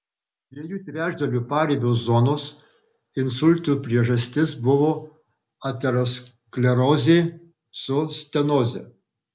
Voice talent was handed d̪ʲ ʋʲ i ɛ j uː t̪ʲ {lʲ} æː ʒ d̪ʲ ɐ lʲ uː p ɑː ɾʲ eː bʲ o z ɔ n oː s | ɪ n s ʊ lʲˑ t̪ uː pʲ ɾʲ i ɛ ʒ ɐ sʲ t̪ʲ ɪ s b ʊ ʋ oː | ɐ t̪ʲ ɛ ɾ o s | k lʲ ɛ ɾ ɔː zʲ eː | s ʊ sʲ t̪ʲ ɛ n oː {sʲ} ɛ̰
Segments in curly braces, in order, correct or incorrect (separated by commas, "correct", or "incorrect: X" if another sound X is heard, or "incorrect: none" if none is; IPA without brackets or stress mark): incorrect: ɾʲ, incorrect: zʲ